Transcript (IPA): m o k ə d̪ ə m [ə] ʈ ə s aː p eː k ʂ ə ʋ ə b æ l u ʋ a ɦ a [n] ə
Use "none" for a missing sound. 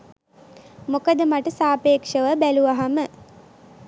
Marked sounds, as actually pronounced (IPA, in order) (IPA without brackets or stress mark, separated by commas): a, m